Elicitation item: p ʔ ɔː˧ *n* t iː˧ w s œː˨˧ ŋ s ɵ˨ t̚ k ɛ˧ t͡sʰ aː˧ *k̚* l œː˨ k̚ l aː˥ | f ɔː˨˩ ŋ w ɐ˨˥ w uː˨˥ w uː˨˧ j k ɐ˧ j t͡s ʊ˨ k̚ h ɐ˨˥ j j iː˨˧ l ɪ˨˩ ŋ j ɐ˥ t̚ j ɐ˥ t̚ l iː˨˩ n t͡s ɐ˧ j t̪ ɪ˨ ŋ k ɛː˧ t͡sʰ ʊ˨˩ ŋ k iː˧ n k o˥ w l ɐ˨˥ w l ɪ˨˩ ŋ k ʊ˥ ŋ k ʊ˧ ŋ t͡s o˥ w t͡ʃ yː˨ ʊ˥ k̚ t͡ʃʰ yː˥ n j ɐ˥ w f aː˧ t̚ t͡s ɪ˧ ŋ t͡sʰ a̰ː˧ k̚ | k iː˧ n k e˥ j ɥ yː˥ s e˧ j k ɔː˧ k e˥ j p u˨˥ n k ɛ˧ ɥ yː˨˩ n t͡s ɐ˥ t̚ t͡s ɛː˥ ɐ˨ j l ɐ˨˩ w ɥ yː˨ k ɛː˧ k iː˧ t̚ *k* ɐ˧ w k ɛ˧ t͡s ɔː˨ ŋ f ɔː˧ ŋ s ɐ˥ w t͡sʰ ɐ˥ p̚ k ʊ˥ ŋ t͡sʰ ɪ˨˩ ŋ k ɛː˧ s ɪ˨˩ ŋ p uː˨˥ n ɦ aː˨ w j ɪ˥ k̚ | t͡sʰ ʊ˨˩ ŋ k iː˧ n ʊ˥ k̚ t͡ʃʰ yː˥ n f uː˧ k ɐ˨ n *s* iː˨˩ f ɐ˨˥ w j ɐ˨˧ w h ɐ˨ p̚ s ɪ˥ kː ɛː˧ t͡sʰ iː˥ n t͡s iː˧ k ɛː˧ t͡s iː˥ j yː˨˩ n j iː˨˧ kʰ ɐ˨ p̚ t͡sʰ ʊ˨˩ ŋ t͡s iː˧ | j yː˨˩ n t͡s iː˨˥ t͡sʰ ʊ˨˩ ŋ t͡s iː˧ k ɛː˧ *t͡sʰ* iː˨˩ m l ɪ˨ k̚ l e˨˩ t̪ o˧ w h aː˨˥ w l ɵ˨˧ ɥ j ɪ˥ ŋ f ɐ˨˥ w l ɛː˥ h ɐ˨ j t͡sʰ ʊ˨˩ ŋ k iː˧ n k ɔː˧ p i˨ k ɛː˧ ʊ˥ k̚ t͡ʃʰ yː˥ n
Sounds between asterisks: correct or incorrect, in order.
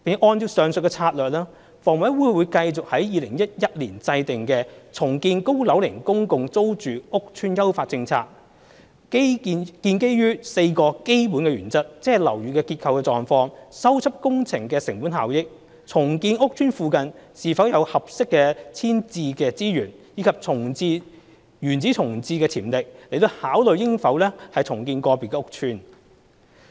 correct, incorrect, incorrect, correct, correct

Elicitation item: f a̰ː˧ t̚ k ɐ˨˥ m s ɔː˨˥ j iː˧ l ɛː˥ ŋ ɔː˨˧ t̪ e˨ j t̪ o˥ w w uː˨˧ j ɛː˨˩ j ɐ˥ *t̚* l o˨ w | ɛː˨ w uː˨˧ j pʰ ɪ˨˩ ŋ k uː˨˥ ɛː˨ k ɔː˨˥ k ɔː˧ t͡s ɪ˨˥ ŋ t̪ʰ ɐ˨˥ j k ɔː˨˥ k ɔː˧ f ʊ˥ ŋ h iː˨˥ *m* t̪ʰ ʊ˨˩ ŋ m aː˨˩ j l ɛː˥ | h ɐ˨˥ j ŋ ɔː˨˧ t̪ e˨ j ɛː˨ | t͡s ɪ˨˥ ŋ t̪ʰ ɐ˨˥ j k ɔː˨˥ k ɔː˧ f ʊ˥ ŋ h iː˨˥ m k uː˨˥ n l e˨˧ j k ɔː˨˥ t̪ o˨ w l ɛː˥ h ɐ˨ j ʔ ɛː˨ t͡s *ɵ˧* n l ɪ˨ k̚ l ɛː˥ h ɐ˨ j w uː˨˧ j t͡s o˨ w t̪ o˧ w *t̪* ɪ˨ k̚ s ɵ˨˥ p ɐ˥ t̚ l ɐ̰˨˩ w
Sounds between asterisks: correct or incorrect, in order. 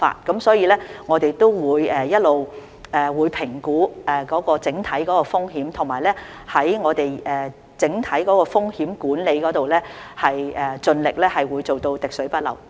correct, correct, correct, correct

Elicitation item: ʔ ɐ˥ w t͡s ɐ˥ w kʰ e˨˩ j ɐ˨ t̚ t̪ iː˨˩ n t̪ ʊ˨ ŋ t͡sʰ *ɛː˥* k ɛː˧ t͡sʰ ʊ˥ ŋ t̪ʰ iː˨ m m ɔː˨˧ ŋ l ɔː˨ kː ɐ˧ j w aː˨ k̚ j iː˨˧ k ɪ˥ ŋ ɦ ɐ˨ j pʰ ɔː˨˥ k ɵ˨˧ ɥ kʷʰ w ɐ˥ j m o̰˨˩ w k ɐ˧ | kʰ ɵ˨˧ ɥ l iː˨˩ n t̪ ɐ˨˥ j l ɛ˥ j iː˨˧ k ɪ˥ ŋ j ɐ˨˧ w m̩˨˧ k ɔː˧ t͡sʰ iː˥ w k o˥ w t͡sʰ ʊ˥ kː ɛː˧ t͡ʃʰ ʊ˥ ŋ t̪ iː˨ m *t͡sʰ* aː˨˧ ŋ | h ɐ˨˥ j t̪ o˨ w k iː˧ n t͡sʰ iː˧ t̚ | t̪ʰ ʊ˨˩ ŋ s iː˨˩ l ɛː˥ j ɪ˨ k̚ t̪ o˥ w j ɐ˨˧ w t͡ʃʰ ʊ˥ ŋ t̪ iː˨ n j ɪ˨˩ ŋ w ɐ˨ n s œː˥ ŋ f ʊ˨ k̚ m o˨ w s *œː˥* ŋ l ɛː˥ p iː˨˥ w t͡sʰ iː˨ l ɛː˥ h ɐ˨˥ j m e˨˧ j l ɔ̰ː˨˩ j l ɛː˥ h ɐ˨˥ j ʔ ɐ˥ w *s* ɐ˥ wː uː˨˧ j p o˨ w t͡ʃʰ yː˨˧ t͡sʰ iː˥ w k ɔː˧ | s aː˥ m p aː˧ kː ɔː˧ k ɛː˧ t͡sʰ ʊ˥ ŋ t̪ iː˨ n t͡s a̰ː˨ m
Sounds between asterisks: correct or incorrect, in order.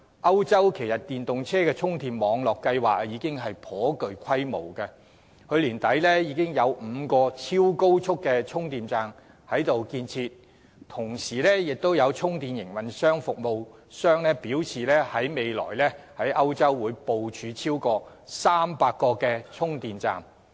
correct, incorrect, correct, incorrect

